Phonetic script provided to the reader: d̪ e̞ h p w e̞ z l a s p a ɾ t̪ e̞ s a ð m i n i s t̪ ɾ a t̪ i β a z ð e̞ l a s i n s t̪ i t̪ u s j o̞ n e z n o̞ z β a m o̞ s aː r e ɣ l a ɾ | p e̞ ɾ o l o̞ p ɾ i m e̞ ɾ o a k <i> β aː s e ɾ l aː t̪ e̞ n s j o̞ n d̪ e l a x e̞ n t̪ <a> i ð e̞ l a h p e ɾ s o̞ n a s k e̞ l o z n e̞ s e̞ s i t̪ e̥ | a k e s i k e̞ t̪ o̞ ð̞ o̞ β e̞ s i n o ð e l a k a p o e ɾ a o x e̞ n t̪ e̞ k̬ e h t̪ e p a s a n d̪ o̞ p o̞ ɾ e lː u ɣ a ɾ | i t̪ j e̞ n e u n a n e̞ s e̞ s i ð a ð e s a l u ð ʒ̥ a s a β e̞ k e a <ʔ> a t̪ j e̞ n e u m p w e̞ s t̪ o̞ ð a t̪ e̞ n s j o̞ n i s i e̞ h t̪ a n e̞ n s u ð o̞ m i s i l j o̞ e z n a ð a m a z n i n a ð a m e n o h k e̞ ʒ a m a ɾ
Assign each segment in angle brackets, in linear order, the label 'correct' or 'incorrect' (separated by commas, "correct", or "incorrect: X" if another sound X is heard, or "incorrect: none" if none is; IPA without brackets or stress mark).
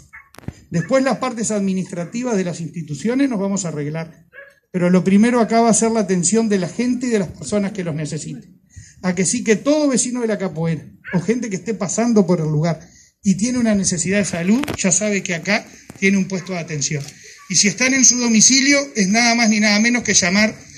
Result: incorrect: a, incorrect: e, incorrect: k